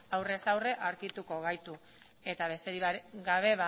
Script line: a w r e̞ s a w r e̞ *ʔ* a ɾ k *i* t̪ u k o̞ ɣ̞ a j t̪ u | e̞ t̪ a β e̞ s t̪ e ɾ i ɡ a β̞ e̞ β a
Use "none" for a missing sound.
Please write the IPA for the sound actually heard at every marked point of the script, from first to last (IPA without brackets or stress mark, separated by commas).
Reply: ʔ, i